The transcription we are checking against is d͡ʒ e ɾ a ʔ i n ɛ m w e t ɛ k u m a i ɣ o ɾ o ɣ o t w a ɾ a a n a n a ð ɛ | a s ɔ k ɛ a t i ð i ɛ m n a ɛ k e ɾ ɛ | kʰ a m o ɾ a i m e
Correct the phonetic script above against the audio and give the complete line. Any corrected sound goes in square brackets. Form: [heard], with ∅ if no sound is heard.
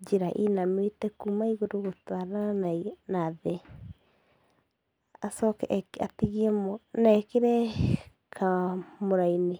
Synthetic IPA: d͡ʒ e ɾ a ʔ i n [a] m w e t ɛ k u m a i ɣ o ɾ o ɣ o t w a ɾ a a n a n a ð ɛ | a s ɔ k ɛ a t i [ɣ] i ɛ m n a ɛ k e ɾ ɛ | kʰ a m o ɾ a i [n] e